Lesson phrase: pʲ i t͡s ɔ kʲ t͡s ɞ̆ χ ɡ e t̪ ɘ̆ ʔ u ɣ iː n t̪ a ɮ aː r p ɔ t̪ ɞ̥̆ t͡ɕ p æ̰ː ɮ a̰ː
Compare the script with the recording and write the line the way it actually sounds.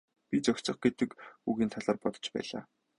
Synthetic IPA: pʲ i t͡s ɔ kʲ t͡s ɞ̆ χ ɡ e t̪ ɘ̆ k u ɣ iː n t̪ʰ a ɮ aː r p ɔ t̪ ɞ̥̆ t͡ɕ p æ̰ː ɮ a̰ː

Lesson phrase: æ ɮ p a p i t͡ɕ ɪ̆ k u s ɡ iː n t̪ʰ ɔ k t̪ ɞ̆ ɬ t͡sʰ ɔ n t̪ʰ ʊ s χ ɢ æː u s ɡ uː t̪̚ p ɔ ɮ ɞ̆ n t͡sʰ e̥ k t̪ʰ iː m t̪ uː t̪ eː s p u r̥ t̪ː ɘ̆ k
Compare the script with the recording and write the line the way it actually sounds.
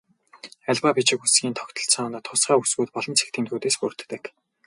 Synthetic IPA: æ ɮ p a p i t͡ɕ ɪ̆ k u s ɡ iː n t̪ʰ ɔ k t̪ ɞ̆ ɬ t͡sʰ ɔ n t̪ʰ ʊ s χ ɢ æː u s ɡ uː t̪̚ p ɔ ɮ ɞ̆ n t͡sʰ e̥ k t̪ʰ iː m t̪ uː t̪ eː s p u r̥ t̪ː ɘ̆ k

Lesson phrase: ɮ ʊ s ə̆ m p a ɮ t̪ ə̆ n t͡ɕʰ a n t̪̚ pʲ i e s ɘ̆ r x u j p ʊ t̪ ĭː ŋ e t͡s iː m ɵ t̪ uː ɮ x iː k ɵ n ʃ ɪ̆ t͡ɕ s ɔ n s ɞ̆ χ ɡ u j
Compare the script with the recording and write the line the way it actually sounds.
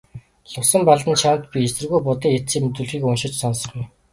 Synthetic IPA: ɮ ʊ s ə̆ m p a ɮ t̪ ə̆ n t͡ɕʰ a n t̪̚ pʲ i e s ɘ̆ r ɣ u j p ʊ t̪ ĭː ŋ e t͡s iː m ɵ t̪ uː ɮ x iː k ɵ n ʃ ɪ̆ t͡ɕ s ɔ n s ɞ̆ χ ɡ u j

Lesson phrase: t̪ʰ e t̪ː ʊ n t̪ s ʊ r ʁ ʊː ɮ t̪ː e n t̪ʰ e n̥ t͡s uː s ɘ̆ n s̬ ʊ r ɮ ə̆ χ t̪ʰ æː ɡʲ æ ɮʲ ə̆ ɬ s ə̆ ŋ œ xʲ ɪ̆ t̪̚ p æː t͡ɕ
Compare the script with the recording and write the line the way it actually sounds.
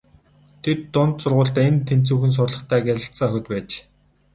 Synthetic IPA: t̪ʰ e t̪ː ʊ n t̪ s ʊ r ʁ ʊː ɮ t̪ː e n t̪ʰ e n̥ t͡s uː x ɘ̆ n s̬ ʊ r ɮ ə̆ χ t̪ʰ æː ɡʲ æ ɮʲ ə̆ ɬ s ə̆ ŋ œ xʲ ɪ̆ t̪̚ p æː t͡ɕ

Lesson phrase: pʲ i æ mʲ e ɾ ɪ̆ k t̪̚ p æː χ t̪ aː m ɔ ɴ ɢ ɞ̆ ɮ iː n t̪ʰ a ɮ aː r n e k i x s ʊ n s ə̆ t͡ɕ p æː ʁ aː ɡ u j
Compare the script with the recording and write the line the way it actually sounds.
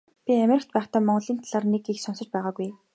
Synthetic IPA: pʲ i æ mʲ e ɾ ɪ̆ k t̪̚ p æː χ t̪ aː m ɔ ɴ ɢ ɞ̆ ɮ iː n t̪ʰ a ɮ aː r n e k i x s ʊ n s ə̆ t͡ɕ p æː ʁ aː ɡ u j

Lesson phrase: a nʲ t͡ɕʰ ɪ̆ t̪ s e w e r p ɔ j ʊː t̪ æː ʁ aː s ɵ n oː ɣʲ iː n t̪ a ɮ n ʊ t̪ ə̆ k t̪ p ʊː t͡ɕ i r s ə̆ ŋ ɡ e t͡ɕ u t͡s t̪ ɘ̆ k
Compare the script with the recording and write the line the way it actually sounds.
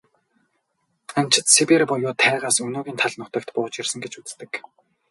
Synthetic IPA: a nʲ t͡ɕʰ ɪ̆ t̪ s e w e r p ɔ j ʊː t̪ʰ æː ʁ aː s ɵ n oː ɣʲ iː n t̪ʰ a ɮ n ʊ t̪ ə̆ k t̪ p ʊː t͡ɕ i r s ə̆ ŋ ɡ e t͡ɕ u t͡s t̪ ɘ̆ k

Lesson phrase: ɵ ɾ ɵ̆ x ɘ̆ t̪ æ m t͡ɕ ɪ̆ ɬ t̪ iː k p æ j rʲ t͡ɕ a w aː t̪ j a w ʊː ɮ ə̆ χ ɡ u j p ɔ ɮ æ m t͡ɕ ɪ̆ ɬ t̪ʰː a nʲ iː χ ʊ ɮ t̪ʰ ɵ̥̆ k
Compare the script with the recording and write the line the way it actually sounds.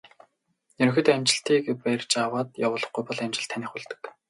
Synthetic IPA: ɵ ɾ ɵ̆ x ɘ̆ t̪ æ m t͡ɕ ɪ̆ ɬ t̪ iː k p æ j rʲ t͡ɕ a w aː t̪ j a w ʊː ɮ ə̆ χ ɡ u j p ɔ ɮ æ m t͡ɕ ɪ̆ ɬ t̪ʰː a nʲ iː χ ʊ ɮ t̪ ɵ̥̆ k

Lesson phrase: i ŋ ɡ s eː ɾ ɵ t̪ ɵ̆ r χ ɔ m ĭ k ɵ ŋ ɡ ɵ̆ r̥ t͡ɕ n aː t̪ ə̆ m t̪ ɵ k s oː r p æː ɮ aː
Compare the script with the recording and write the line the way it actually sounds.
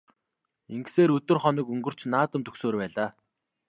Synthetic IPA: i ŋ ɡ s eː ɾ ɵ t̪ ɵ̆ r χ ɔ n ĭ k ɵ ŋ ɡ ɵ̆ r̥ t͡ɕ n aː t̪ ə̆ m t̪ ɵ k s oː r p æː ɮ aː

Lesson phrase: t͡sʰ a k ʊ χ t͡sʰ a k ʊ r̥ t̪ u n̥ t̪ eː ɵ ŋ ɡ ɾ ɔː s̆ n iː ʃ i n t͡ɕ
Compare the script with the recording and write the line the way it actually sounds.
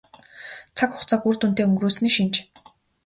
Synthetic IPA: t͡sʰ a k ʊ χ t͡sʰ a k u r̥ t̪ u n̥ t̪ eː ɵ ŋ ɡ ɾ uː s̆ n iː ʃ i n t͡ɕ

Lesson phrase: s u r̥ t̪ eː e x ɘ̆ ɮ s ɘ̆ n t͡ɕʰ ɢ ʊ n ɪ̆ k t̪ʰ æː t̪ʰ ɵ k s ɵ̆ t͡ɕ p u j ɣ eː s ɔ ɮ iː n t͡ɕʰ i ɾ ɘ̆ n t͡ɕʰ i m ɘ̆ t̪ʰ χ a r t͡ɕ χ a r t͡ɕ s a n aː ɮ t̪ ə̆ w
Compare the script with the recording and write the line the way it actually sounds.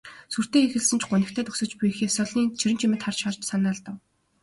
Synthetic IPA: s u r̥ t̪ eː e x ɘ̆ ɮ s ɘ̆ n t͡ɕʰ ɢ ʊ n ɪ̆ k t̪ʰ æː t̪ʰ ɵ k s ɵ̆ t͡ɕ p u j x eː s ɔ ɮ iː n t͡ɕʰ i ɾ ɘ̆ n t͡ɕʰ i m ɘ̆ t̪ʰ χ a r t͡ɕ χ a r t͡ɕ s a n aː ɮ t̪ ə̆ w

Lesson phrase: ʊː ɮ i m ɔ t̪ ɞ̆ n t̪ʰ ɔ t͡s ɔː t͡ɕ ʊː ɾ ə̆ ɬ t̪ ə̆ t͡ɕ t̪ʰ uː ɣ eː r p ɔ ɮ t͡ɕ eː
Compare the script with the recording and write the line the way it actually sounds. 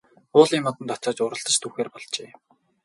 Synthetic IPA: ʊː ɮ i m ɔ t̪ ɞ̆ n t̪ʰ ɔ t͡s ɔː t͡ɕ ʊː ɾ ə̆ ɬ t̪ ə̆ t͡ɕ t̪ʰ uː x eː r p ɔ ɮ t͡ɕ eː

